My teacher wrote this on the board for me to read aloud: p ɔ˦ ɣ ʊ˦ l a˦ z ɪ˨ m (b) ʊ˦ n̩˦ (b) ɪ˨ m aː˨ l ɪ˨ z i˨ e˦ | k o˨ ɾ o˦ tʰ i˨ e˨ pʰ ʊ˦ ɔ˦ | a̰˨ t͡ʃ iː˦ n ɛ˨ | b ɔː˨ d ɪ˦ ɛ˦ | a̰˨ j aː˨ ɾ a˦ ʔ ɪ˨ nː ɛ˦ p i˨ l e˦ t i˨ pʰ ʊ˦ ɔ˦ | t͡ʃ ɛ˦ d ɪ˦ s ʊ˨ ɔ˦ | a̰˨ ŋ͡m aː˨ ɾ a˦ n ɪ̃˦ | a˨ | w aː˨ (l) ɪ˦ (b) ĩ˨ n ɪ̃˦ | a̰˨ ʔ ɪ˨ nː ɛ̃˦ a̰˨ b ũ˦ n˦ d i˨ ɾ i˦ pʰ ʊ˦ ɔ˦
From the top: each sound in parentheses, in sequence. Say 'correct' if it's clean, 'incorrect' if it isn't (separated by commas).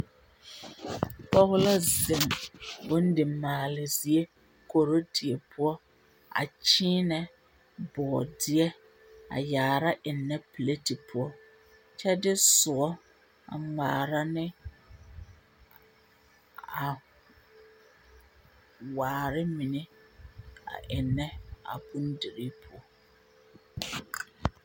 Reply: correct, incorrect, incorrect, incorrect